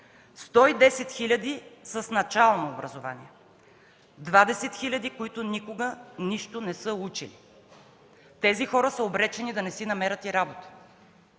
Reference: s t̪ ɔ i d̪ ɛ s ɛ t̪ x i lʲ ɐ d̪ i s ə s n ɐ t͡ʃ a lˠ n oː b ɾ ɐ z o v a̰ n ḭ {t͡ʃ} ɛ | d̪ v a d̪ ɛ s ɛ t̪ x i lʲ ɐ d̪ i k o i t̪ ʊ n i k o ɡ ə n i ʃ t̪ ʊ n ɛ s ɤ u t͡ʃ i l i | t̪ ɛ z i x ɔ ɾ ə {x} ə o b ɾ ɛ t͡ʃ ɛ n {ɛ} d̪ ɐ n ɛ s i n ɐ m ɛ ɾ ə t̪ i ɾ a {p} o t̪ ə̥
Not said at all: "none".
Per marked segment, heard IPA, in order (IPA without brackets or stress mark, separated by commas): none, s, i, b